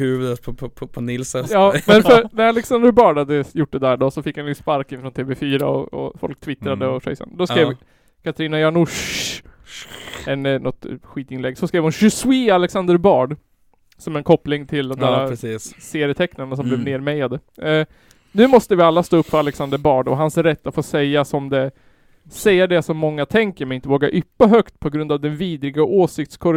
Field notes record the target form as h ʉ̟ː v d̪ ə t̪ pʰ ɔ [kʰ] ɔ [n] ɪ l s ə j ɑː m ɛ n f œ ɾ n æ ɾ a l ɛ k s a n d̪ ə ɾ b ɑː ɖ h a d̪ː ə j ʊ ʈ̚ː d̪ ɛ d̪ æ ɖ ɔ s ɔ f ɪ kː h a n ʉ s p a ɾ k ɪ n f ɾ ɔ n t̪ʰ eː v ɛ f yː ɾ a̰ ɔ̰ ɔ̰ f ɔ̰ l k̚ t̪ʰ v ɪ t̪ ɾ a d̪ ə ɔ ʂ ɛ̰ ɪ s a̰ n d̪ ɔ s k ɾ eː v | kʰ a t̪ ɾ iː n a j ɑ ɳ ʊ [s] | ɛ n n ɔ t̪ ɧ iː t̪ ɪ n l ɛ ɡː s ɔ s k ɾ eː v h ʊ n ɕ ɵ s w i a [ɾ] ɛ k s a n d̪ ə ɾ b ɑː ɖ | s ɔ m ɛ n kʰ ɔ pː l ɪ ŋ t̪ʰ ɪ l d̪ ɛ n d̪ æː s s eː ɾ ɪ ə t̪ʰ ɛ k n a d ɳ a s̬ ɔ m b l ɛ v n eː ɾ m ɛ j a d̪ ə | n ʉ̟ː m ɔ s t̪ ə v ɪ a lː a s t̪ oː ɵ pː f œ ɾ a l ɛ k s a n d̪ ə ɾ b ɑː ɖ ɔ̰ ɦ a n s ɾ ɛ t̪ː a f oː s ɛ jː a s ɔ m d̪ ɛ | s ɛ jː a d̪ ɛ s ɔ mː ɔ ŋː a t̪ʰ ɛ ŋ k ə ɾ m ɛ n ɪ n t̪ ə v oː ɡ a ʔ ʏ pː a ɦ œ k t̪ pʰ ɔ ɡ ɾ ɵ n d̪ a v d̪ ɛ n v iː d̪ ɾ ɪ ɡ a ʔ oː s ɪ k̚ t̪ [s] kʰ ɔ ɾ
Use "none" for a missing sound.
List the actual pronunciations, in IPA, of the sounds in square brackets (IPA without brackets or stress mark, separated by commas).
pʰ, n, ʂ, l, s